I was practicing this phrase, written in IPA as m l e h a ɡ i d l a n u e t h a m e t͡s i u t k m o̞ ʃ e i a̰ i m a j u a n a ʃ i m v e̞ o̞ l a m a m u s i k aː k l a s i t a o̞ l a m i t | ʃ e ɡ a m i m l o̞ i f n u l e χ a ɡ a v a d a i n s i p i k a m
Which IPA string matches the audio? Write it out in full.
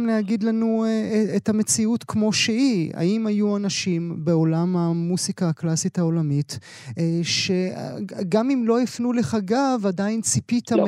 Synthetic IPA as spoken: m l e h a ɡ i d l a n u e t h a m e t͡s i u t k m o̞ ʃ e i a̰ i m a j u a n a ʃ i m b e̞ o̞ l a m a m u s i k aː k l a s i t a o̞ l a m i t | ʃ e ɡ a m i m l o̞ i f n u l e χ a ɡ a v a d a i n t͡s i p i t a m